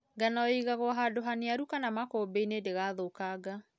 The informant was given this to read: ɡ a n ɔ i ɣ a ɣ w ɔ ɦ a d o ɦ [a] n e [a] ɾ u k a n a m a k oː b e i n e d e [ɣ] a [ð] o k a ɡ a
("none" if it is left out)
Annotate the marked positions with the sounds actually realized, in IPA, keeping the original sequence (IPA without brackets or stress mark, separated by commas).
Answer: a, a, ɣ, ð